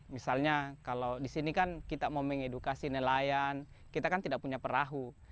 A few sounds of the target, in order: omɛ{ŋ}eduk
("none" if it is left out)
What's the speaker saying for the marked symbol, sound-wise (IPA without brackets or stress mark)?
ŋ